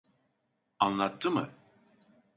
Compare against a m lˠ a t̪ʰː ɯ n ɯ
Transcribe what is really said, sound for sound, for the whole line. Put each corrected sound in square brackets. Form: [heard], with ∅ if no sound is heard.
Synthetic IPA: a [n] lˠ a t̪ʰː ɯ [m] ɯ

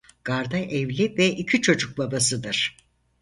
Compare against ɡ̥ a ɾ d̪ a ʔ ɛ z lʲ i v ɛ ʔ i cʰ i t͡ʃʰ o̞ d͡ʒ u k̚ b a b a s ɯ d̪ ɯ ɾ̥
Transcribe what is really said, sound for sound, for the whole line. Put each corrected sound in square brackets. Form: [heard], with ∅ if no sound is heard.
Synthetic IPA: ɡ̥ a ɾ d̪ a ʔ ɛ [v] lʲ i v ɛ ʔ i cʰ i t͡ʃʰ o̞ d͡ʒ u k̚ b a b a s ɯ d̪ ɯ ɾ̥

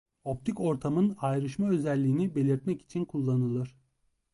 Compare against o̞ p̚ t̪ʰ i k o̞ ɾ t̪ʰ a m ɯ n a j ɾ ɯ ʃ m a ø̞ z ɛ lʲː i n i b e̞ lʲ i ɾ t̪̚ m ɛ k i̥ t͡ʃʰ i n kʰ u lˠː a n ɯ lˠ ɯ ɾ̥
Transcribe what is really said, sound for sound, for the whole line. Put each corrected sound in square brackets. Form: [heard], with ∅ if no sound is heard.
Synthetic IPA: o̞ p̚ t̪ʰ i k o̞ ɾ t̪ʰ a m ɯ n a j ɾ ɯ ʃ m a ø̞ z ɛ lʲː [iː] n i b e̞ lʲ i ɾ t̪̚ m ɛ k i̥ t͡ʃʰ i n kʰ u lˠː a n ɯ lˠ ɯ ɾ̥

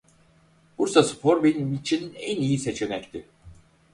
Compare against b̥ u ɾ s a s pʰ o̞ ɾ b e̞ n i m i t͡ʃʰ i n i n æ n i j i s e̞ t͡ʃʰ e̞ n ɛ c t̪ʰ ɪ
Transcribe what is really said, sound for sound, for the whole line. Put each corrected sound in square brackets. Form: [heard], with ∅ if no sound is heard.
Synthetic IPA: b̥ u ɾ s a s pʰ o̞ ɾ b e̞ n i m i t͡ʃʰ i n i n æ n i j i s e̞ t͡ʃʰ e̞ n ɛ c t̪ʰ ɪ

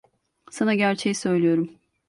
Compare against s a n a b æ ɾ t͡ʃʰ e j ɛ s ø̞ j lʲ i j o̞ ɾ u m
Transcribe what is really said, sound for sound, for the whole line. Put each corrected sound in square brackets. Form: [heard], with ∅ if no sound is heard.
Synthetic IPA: s a n a [ɟ] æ ɾ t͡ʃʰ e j [i] s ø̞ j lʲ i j o̞ ɾ u m

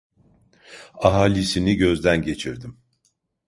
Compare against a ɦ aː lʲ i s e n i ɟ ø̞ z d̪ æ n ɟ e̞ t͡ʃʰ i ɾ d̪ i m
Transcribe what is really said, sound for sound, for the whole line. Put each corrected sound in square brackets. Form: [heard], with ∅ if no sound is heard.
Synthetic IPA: a ɦ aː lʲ i s [i] n i ɟ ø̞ z d̪ æ n ɟ e̞ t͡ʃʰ i ɾ d̪ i m

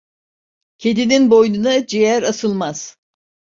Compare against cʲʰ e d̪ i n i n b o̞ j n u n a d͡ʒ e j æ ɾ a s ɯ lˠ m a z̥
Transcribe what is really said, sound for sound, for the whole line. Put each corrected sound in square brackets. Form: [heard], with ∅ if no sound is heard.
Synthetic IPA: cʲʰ e d̪ i n i n b o̞ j n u n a d͡ʒ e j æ ɾ a s ɯ lˠ m a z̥

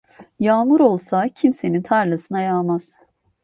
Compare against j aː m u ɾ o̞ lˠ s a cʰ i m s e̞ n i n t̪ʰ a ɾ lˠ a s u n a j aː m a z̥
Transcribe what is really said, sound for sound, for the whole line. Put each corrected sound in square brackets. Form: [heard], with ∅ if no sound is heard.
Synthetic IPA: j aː m u ɾ o̞ lˠ s a cʰ i m s e̞ n i n t̪ʰ a ɾ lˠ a s [ɯ] n a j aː m a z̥

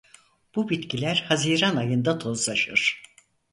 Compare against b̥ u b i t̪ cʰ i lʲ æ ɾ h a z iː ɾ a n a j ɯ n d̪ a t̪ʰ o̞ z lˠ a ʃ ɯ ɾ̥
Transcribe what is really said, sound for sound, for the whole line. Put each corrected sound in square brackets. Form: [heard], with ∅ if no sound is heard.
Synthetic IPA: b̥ u b i t̪ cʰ i lʲ æ ɾ h a z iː ɾ a n a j ɯ n d̪ a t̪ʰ o̞ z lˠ a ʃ ɯ ɾ̥

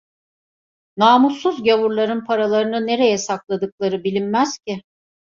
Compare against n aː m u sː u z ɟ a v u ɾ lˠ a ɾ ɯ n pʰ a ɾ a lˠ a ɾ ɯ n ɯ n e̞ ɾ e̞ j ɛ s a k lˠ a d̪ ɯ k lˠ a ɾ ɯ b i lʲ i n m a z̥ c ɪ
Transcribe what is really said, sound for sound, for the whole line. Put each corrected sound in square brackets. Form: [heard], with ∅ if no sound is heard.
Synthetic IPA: n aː m u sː u z ɟ a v u ɾ lˠ a ɾ ɯ n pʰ a ɾ a lˠ a ɾ ɯ n ɯ n e̞ ɾ e̞ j ɛ s a k lˠ a d̪ ɯ k lˠ a ɾ ɯ b i lʲ i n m [æ] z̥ c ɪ

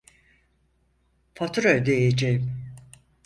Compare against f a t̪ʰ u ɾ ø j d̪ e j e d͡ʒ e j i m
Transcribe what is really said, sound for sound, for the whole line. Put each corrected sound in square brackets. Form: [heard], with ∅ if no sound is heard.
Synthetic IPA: f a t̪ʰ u ɾ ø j d̪ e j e d͡ʒ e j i m

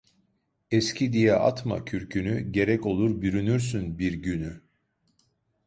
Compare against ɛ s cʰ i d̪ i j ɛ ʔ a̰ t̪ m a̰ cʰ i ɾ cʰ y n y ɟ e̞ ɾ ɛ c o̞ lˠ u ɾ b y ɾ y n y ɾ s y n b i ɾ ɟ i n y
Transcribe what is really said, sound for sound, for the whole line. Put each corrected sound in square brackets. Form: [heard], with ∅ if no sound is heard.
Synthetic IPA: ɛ s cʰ i d̪ i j ɛ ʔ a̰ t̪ m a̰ cʰ [y] ɾ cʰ y n y ɟ e̞ ɾ ɛ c o̞ lˠ u ɾ b y ɾ y n y ɾ s y n b i ɾ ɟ [y] n y

